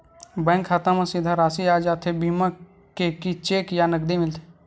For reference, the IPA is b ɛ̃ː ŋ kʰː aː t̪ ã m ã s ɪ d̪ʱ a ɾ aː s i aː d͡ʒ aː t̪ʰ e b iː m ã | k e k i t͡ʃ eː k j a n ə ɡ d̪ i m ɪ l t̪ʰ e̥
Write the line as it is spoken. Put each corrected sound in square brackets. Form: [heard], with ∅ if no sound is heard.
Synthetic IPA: b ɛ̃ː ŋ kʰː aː t̪ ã m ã s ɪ d̪ʱ a ɾ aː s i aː d͡ʒ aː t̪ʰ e b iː m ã | k e k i t͡ʃ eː k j a n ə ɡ d̪ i m ɪ l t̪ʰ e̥